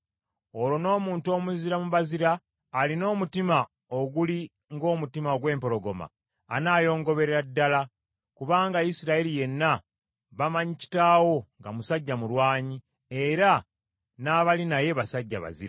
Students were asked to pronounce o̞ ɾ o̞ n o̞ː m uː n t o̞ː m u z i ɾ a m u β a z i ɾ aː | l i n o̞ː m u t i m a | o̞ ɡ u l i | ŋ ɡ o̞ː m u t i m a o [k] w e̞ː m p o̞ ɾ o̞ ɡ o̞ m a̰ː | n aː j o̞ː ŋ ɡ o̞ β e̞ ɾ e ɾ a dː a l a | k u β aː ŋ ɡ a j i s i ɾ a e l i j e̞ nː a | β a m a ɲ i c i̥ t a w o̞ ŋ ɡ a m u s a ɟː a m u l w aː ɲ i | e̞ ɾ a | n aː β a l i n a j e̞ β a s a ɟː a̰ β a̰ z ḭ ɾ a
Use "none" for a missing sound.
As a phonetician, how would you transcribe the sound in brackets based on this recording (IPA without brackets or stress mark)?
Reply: ɡ